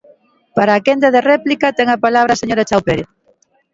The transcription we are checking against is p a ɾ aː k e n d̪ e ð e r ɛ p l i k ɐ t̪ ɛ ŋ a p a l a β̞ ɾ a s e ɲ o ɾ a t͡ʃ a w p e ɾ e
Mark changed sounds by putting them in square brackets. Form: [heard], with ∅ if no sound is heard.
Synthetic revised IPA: p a ɾ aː k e n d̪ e ð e r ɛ p l i k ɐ t̪ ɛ ŋ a p a l a β̞ ɾ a s e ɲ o ɾ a t͡ʃ a w p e ɾ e